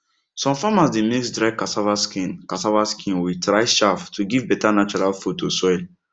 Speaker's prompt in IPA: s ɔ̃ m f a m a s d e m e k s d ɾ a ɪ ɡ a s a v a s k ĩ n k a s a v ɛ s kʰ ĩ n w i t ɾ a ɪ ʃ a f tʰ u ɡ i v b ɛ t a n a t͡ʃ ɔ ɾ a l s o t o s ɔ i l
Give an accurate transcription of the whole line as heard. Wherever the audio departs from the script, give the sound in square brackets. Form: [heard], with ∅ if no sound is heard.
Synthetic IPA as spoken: s ɔ̃ m f a m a s d e m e k s d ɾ a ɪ [k] a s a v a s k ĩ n k a s a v [a] s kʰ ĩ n w i t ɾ a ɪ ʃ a f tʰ u ɡ i v b ɛ t a n a t͡ʃ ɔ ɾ a l [f] o t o s ɔ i l